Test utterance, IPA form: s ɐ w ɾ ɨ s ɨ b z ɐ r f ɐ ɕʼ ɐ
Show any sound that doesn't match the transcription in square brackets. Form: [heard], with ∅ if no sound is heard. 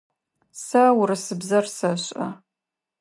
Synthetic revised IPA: s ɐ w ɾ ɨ s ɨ b z ɐ r [s] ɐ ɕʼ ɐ